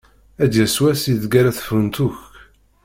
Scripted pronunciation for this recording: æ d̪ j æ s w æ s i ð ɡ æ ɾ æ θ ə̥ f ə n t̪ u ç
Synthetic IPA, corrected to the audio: æ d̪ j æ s w æ s i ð ɡ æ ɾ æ θ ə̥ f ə n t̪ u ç